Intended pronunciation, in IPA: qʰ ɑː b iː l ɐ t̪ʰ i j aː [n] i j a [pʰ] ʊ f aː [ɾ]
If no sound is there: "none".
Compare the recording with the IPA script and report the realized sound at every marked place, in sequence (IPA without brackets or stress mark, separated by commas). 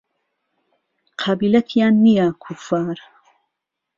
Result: nː, kʰ, ɾ